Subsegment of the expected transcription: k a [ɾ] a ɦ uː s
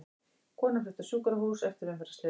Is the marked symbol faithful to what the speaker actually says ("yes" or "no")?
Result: yes